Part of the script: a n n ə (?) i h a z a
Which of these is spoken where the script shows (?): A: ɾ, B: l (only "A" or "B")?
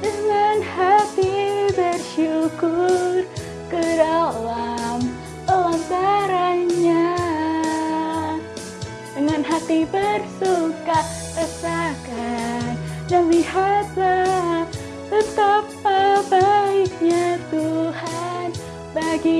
B